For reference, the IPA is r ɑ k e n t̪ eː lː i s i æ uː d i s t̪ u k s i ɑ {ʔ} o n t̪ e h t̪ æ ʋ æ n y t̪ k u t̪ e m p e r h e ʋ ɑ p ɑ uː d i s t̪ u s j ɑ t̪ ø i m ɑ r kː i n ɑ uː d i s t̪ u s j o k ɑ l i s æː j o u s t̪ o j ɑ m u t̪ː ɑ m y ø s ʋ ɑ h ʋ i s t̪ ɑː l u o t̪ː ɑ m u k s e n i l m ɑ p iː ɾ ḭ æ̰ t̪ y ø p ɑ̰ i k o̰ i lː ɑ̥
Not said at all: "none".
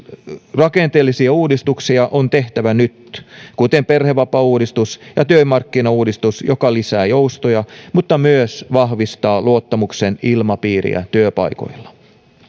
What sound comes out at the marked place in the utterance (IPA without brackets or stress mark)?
ʔ